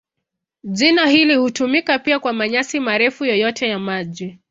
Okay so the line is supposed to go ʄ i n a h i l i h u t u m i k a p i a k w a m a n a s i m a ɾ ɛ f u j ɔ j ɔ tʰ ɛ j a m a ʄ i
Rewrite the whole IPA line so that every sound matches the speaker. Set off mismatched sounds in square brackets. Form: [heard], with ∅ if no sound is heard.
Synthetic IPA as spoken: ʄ i n a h i l i h u t u m i k a p i a k w a m a [ɲ] a s i m a ɾ ɛ f u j ɔ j ɔ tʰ ɛ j a m a ʄ i